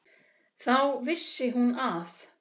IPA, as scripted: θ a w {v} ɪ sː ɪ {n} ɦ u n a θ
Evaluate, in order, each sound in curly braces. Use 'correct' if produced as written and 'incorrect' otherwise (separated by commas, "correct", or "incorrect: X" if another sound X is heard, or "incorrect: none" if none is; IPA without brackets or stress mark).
correct, incorrect: none